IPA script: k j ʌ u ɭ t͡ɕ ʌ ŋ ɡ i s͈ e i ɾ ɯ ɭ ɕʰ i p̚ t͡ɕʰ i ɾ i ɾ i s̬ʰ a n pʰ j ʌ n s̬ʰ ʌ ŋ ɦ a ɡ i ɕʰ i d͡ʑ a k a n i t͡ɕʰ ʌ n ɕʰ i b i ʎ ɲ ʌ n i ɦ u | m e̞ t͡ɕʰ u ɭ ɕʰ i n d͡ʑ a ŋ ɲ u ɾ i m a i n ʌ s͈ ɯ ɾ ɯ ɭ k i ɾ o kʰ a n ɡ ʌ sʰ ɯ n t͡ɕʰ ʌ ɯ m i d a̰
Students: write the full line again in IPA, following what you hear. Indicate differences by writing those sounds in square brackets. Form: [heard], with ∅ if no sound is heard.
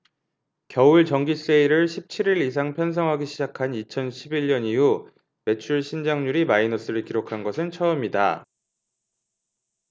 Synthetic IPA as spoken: k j ʌ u ɭ t͡ɕ ʌ ŋ ɡ i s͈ e i ɾ ɯ ɭ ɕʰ i p̚ t͡ɕʰ i ɾ i ɾ i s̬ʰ a [ŋ] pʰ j ʌ n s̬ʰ ʌ ŋ ɦ a ɡ i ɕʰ i d͡ʑ a [kʰ] a n i t͡ɕʰ ʌ n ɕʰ i b i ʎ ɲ ʌ n i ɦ u | m e̞ t͡ɕʰ u ɭ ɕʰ i n d͡ʑ a ŋ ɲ u ɾ i m a i n ʌ s͈ ɯ ɾ ɯ ɭ k i ɾ o kʰ a n ɡ ʌ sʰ ɯ n t͡ɕʰ ʌ ɯ m i d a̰